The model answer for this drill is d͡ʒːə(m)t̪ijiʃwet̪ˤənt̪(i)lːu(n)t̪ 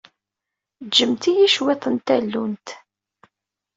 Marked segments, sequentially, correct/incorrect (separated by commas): correct, incorrect, correct